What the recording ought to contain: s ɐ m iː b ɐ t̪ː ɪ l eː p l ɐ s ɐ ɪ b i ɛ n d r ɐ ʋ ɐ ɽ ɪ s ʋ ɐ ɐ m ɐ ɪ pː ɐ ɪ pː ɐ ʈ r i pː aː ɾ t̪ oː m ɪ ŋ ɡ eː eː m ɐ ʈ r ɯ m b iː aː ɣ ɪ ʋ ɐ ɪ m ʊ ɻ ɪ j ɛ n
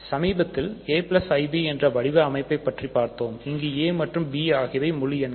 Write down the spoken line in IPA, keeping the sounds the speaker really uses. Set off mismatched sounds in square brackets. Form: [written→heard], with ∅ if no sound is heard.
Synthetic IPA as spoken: s ɐ m iː b ɐ t̪ː ɪ l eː p l ɐ s ɐ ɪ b i ɛ n d r ɐ ʋ ɐ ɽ ɪ [s→∅] ʋ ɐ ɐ m ɐ ɪ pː ɐ ɪ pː ɐ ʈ r i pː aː ɾ t̪ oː m ɪ ŋ ɡ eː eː m ɐ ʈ r ɯ m b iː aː ɣ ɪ ʋ ɐ ɪ m ʊ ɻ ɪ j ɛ n